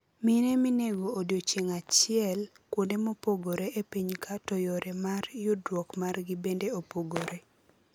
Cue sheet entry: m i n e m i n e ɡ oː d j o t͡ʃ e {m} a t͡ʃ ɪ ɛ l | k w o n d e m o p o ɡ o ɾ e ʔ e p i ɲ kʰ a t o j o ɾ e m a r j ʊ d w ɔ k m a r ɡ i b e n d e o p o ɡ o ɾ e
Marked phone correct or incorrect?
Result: incorrect: ŋ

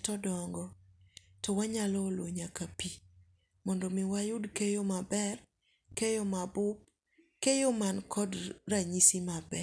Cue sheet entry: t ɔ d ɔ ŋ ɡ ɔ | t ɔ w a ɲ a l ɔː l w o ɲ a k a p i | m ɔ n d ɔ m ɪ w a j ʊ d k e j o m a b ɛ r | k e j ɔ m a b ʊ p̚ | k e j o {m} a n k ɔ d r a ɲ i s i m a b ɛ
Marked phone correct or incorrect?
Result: correct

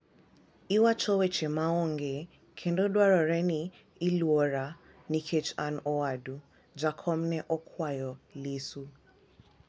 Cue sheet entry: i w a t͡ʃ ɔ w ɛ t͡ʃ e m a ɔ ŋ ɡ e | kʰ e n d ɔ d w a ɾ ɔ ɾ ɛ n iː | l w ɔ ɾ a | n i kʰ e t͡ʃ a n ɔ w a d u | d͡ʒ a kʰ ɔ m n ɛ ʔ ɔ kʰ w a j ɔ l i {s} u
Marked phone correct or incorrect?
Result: correct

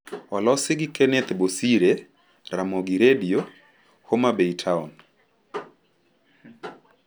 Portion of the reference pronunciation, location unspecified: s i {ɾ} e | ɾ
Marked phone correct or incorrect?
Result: correct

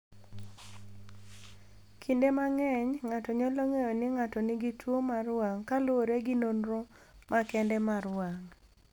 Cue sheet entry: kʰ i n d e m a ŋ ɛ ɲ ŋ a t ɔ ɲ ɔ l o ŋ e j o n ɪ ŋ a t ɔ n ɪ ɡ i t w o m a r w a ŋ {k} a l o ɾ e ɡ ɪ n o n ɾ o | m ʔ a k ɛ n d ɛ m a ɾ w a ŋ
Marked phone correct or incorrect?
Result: correct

